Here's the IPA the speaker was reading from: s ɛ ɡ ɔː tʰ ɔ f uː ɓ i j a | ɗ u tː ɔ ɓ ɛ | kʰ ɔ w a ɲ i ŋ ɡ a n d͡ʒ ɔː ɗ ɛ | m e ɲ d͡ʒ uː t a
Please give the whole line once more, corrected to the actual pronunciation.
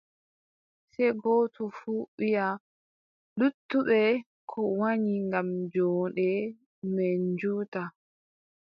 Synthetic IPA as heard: s ɛ ɡ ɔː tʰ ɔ f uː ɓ i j a | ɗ u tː u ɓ ɛ | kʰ ɔ w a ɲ i ŋ ɡ a m d͡ʒ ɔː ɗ ɛ | m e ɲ d͡ʒ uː t a